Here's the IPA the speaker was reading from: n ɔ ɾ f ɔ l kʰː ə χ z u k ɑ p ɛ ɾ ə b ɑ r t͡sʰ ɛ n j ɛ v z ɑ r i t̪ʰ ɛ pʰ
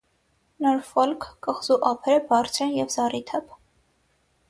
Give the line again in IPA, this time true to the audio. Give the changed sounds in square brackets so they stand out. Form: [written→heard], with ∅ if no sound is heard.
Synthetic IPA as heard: n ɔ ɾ f ɔ l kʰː ə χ z u [k→ʔ] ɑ [p→pʰ] ɛ ɾ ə b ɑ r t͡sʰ ɛ n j ɛ v z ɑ r i t̪ʰ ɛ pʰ